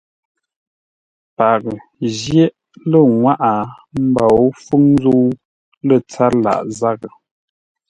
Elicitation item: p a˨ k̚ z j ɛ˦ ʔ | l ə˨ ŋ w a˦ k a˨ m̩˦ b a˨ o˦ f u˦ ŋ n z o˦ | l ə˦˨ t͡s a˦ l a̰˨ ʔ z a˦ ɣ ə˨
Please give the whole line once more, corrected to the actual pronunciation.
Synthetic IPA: p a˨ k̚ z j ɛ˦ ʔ | l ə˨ ŋ w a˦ ʔ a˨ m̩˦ b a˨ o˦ f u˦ ŋ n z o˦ | l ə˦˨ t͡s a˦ l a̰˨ ʔ z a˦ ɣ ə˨